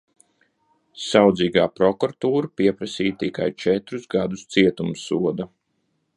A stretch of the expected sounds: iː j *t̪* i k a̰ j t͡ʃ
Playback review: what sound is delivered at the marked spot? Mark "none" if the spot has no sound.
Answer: t̪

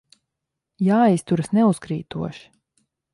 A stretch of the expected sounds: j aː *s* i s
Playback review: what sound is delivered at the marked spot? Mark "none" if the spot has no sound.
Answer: none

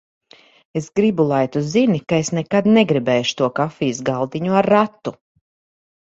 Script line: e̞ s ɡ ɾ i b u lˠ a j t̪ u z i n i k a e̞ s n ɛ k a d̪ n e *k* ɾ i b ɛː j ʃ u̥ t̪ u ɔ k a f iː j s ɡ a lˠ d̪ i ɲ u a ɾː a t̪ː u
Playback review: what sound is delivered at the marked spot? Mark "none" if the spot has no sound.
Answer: ɡ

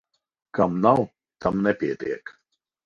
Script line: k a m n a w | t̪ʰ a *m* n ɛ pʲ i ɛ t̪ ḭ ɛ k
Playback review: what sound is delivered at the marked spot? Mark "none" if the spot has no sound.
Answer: m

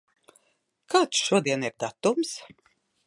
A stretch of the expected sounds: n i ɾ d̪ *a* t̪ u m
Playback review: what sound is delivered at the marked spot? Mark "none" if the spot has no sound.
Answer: a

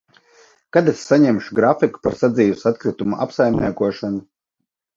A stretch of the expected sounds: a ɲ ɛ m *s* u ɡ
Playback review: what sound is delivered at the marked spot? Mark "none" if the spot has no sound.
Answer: ʃ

